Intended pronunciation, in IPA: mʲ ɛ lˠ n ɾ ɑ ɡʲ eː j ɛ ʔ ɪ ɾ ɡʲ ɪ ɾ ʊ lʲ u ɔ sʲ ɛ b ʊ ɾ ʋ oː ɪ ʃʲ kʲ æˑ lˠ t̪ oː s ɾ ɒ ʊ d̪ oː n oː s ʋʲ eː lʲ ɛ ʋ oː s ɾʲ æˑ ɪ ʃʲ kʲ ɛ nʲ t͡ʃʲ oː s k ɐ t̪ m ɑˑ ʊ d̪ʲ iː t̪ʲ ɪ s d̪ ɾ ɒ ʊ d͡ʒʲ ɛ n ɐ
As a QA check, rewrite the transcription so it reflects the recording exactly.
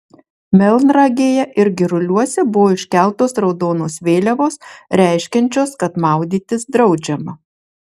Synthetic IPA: mʲ ɛ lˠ n ɾ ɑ ɡʲ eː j ɛ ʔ ɪ ɾ ɡʲ ɪ ɾ ʊ lʲ u ɔ sʲ ɛ b ʊ ʋ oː ɪ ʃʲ kʲ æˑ lˠ t̪ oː s ɾ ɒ ʊ d̪ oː n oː s ʋʲ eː lʲ ɛ ʋ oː s ɾʲ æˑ ɪ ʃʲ kʲ ɛ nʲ t͡ʃʲ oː s k ɐ t̪ m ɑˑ ʊ d̪ʲ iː t̪ʲ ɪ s d̪ ɾ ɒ ʊ d͡ʒʲ ɛ m ɐ